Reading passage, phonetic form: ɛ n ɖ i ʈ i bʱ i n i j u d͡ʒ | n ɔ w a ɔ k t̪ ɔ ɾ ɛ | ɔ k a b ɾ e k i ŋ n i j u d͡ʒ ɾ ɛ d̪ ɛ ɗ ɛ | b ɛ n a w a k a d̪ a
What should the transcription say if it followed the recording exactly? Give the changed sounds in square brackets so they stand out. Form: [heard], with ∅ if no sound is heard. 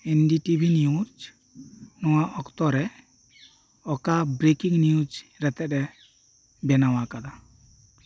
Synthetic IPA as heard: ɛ n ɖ i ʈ i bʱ i n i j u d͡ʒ | n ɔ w a ɔ k t̪ ɔ ɾ ɛ | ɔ k a b ɾ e k i ŋ n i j u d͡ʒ ɾ ɛ [t̪] ɛ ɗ ɛ | b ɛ n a w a k a d̪ a